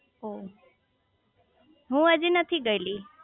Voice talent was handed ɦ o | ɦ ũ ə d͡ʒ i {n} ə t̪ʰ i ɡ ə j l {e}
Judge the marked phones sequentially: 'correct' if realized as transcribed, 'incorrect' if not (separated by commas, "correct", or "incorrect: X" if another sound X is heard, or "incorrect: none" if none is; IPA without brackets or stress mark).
correct, incorrect: i